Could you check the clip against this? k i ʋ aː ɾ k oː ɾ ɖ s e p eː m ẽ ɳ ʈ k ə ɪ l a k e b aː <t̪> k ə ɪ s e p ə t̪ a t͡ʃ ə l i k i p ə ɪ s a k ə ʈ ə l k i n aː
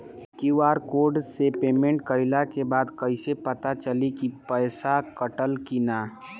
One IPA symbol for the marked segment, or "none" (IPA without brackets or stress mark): d̪